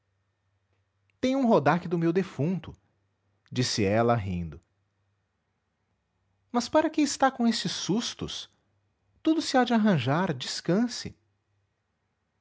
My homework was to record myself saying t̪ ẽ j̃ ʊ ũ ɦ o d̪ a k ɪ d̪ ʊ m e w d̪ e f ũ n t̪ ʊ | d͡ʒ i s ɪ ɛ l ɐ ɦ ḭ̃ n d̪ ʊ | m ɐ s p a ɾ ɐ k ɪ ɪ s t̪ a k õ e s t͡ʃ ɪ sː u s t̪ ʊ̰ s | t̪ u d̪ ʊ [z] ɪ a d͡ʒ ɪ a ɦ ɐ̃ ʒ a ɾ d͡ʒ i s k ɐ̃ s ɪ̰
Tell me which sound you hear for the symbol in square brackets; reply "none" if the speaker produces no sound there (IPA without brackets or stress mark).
s